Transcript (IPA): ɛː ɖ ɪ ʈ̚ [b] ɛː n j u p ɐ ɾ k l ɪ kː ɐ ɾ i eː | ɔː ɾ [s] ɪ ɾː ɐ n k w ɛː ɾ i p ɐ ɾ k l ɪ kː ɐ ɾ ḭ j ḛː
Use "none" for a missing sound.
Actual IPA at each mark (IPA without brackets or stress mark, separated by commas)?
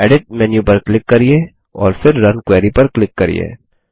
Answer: m, f